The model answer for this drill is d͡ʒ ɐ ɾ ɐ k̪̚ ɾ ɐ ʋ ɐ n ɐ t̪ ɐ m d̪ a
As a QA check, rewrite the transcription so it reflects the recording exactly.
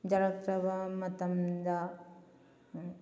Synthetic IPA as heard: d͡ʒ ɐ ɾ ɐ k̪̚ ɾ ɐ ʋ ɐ m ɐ t̪ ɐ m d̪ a